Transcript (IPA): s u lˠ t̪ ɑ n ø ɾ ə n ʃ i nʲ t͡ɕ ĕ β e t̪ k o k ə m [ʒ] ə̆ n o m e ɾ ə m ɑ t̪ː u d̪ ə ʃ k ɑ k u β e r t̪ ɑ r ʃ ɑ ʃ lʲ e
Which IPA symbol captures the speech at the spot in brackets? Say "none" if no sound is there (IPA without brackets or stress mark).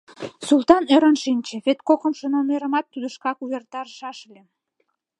ʃ